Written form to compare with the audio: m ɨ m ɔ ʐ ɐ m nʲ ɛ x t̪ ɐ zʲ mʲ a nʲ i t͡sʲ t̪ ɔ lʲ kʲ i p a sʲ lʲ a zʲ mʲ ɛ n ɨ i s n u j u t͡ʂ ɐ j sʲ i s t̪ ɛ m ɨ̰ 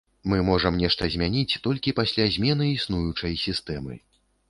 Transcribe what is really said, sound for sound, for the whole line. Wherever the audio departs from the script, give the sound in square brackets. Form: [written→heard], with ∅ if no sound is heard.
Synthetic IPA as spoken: m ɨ m ɔ ʐ ɐ m nʲ ɛ [x→ʂ] t̪ ɐ zʲ mʲ a nʲ i t͡sʲ t̪ ɔ lʲ kʲ i p a sʲ lʲ a zʲ mʲ ɛ n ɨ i s n u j u t͡ʂ ɐ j sʲ i s t̪ ɛ m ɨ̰